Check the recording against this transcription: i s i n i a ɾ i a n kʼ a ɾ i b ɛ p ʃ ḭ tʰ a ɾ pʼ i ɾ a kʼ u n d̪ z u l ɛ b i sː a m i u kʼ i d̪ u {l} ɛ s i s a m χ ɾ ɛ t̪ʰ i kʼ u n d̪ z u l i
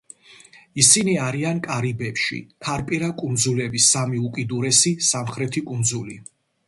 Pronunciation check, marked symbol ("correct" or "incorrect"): incorrect